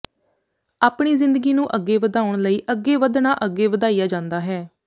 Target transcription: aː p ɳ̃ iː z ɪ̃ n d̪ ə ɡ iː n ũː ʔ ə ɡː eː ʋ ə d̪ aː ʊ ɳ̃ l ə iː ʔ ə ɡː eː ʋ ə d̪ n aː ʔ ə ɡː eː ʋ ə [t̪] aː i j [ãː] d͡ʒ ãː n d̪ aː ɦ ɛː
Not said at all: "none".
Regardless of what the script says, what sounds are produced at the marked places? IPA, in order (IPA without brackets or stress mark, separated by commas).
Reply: d̪, aː